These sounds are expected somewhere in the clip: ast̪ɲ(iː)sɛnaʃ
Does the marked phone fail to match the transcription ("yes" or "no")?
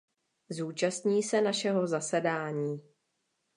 no